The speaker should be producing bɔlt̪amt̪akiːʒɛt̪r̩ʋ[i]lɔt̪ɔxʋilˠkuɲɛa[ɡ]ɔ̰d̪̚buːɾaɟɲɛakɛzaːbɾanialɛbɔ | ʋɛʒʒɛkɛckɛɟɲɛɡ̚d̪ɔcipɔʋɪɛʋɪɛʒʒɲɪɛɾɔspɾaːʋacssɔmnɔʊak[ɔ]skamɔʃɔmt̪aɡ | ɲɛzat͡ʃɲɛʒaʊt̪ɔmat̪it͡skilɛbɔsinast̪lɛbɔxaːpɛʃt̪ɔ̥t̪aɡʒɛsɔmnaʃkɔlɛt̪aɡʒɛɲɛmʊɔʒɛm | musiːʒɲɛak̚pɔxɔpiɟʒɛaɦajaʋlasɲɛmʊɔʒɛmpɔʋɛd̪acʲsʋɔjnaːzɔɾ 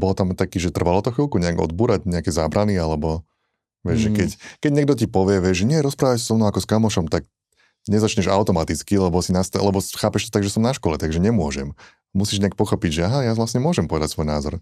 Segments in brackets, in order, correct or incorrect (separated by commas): incorrect, correct, correct